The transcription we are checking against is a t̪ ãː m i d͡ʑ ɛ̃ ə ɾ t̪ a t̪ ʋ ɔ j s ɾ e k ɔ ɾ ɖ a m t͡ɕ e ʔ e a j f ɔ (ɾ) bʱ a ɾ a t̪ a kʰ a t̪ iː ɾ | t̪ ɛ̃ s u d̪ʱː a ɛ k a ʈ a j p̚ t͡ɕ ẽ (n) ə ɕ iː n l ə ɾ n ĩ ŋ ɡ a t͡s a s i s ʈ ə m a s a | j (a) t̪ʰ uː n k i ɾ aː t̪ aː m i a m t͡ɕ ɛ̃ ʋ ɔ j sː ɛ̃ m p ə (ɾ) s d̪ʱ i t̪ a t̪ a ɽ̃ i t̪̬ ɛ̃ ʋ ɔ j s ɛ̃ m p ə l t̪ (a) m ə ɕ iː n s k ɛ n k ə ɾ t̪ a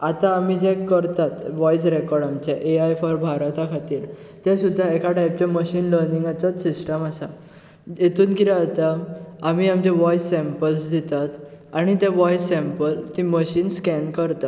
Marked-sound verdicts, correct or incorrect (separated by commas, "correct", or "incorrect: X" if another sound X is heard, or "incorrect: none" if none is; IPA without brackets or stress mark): correct, incorrect: m, incorrect: e, incorrect: l, incorrect: i